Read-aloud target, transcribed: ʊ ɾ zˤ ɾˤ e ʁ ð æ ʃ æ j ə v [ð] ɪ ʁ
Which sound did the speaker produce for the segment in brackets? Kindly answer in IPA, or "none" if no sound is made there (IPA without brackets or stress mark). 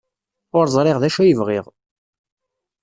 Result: ʁ